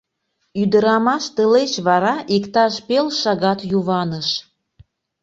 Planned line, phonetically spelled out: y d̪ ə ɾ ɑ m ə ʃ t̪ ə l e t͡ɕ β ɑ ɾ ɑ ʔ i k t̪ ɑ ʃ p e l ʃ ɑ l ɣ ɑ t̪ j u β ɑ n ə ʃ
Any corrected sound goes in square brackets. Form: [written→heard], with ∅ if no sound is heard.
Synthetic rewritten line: y d̪ ə ɾ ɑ m [ə→ɑ] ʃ t̪ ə l e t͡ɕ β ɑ ɾ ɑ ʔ i k t̪ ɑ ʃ p e l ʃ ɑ [l→∅] ɣ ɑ t̪ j u β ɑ n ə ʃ